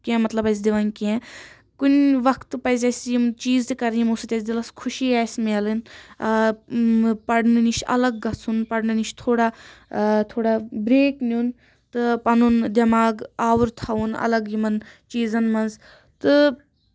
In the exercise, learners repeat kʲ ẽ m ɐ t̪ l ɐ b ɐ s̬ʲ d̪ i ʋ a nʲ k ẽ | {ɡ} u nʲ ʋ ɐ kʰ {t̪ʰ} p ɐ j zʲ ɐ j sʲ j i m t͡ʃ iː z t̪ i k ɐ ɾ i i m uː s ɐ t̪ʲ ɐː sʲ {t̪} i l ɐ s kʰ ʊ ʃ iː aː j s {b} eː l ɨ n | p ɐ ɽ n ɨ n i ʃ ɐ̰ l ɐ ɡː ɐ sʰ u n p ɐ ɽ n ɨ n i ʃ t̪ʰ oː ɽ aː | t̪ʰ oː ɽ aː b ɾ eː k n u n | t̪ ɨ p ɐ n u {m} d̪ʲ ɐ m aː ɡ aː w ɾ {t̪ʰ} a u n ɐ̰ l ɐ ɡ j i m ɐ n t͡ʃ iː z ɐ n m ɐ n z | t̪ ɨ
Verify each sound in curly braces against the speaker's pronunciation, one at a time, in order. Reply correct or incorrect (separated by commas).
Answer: incorrect, incorrect, incorrect, incorrect, incorrect, correct